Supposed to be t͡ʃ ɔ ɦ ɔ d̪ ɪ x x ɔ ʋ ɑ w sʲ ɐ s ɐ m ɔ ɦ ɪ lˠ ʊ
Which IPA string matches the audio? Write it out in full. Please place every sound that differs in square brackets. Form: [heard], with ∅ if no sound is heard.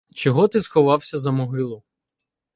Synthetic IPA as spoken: t͡ʃ ɔ ɦ ɔ [t̪] ɪ [s] x ɔ ʋ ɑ w sʲ ɐ [z] ɐ m ɔ ɦ ɪ lˠ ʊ